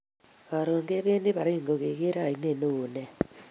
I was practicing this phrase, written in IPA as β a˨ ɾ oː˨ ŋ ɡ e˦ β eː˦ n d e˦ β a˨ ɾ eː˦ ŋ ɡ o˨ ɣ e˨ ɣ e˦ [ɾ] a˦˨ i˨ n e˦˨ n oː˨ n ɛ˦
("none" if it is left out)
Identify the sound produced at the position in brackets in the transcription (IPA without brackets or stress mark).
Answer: ɾ